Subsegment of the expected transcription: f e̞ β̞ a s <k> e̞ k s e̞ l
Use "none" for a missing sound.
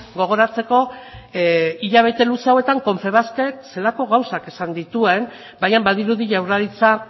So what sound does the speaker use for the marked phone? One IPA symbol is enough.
k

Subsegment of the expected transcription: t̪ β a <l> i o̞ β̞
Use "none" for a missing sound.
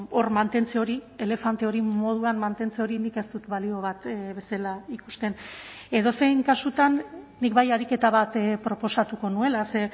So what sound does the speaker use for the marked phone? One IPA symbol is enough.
l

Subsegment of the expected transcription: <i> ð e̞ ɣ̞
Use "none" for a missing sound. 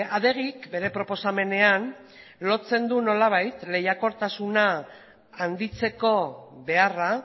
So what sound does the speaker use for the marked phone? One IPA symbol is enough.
a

